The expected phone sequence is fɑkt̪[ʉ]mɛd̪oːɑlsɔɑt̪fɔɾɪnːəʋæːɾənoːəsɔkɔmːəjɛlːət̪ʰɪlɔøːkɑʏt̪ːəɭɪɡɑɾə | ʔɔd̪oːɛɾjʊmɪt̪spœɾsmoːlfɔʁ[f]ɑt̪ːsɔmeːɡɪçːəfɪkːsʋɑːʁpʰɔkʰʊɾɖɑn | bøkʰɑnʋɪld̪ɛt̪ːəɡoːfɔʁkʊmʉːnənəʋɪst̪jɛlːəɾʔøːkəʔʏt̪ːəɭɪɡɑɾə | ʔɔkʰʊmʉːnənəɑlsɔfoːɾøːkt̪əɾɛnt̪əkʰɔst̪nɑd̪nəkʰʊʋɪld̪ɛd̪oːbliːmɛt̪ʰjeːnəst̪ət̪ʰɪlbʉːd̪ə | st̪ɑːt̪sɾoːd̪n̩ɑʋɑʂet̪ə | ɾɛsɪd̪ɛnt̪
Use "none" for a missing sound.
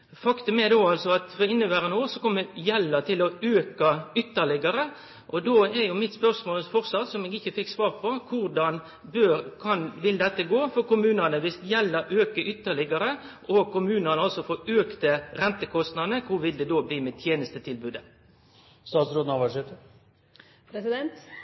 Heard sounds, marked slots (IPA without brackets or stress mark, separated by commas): ʉ, s